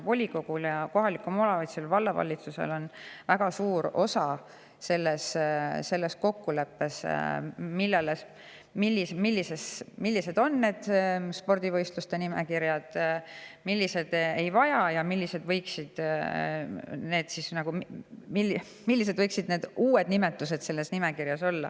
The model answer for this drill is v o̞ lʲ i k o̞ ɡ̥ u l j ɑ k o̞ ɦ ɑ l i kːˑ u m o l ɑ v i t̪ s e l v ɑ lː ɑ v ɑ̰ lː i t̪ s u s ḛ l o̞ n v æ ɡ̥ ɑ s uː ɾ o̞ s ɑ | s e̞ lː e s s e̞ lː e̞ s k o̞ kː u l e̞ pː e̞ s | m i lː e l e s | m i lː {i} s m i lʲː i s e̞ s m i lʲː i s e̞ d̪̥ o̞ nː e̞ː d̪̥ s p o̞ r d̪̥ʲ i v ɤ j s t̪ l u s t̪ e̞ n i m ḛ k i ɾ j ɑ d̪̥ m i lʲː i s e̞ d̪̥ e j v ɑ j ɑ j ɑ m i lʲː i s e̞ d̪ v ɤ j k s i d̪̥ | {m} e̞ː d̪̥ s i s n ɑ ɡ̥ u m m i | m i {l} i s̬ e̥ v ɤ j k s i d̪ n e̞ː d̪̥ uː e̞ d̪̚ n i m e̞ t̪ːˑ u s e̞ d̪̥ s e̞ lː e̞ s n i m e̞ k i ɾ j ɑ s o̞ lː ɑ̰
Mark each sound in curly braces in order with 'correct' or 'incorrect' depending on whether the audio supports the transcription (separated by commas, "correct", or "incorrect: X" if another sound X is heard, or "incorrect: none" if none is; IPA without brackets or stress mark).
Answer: correct, incorrect: n, incorrect: lː